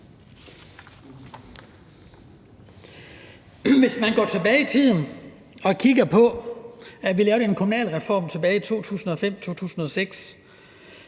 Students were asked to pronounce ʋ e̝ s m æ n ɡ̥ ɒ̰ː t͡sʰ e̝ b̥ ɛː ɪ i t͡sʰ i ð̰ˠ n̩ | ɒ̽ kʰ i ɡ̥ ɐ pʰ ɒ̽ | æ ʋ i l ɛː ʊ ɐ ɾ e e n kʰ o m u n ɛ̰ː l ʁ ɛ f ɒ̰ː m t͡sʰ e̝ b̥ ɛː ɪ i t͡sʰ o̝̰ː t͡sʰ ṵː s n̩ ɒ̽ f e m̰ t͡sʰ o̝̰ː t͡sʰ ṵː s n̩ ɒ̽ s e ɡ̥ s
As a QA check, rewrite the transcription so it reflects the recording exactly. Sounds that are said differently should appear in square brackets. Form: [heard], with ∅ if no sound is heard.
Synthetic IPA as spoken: ʋ e̝ s m æ n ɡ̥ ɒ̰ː t͡sʰ e̝ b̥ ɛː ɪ i t͡sʰ i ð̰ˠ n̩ | ɒ̽ kʰ i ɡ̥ ɐ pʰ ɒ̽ | æ ʋ i l ɛː ʊ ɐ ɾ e e n kʰ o m u n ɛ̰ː l ʁ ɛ f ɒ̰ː m t͡sʰ e̝ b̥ ɛː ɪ i t͡sʰ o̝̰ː t͡sʰ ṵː s n̩ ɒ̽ f e m̰ t͡sʰ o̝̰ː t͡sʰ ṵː s n̩ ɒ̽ s e ɡ̥ s